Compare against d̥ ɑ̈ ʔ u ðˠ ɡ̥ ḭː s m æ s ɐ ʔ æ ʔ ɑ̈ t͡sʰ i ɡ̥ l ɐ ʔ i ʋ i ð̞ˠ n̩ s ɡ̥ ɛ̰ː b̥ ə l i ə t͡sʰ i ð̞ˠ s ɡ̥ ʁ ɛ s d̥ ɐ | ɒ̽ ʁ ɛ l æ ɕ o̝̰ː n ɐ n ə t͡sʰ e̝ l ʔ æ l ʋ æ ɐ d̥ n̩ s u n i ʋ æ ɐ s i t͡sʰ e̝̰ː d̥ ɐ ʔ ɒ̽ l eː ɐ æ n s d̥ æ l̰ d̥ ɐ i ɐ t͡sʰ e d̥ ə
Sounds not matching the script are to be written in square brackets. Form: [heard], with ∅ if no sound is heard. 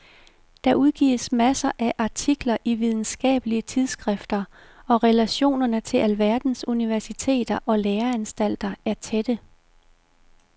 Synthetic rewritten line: d̥ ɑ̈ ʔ u ðˠ ɡ̥ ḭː s m æ s ɐ ʔ æ ʔ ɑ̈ t͡sʰ i ɡ̥ l ɐ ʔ i ʋ i ð̞ˠ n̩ s ɡ̥ ɛ̰ː b̥ ə l i ə t͡sʰ i ð̞ˠ s ɡ̥ ʁ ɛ [f] d̥ ɐ | ɒ̽ ʁ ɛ l æ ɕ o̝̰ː n ɐ n ə t͡sʰ e̝ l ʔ æ l ʋ æ ɐ d̥ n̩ s u n i ʋ æ ɐ s i t͡sʰ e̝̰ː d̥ ɐ ʔ ɒ̽ l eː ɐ æ n s d̥ æ l̰ d̥ ɐ [æ] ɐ t͡sʰ e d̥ ə